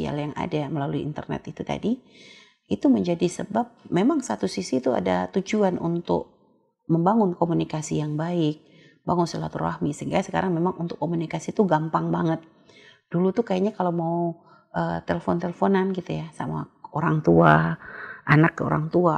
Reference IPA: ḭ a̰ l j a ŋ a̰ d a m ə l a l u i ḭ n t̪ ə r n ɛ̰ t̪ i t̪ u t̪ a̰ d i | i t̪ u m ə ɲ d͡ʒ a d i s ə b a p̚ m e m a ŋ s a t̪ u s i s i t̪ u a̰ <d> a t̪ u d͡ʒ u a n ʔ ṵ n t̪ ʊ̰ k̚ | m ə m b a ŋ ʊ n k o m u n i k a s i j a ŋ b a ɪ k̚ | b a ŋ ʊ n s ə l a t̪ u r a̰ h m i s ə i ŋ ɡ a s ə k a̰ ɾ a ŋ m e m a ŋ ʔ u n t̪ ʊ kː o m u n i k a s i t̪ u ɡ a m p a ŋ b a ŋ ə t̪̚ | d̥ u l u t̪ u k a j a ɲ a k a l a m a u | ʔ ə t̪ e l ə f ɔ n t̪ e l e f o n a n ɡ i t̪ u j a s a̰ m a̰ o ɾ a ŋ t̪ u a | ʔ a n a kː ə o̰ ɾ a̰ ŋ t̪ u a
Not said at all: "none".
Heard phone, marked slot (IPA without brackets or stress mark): d